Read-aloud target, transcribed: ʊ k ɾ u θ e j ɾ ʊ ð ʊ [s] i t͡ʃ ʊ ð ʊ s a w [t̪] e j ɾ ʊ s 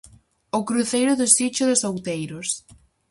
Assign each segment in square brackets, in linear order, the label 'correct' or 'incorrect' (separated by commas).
correct, correct